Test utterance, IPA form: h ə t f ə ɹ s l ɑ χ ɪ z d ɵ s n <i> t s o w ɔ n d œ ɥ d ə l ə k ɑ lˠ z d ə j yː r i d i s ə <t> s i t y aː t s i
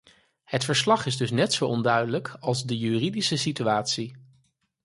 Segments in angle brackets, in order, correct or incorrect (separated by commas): incorrect, incorrect